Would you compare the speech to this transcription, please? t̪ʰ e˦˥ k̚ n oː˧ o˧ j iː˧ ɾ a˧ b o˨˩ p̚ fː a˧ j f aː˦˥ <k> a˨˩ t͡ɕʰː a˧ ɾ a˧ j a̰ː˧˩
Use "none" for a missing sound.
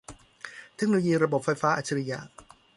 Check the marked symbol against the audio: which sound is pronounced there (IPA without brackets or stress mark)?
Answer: ʔ